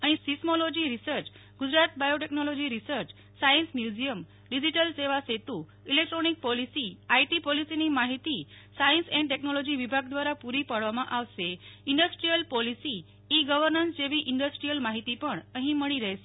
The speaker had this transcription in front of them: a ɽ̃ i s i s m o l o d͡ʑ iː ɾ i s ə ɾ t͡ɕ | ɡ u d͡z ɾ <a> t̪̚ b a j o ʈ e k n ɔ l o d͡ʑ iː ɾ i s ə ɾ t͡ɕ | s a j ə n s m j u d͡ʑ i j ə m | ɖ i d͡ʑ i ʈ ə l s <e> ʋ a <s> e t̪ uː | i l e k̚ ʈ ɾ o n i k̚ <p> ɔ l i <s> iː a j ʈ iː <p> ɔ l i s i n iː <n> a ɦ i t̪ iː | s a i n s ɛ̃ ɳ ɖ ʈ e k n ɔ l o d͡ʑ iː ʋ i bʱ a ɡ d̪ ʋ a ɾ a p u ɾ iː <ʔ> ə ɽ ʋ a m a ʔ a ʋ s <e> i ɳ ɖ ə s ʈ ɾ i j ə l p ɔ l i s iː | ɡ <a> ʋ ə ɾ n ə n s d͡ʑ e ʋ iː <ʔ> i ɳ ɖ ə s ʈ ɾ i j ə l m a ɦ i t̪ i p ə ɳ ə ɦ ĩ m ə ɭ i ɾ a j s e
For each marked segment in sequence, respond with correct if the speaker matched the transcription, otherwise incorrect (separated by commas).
correct, correct, correct, correct, correct, correct, incorrect, incorrect, correct, incorrect, correct